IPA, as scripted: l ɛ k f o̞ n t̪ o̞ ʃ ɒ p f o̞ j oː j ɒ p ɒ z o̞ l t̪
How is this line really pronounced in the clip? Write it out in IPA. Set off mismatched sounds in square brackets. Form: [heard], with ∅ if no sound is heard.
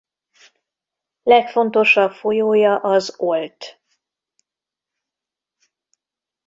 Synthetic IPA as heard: l ɛ k f o̞ n t̪ o̞ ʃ ɒ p f o̞ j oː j ɒ [ʔ] ɒ z o̞ l t̪